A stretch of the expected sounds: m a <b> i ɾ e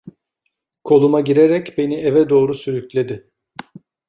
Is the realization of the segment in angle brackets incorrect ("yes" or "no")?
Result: yes